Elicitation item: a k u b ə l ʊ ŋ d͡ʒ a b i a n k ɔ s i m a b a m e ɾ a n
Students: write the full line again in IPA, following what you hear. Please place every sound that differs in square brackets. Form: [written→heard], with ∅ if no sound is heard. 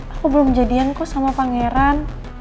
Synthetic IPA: a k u b ə l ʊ [ŋ→m] d͡ʒ a [b→d] i a n k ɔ s [i→a] m a [b→p] a [m→ŋ] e ɾ a n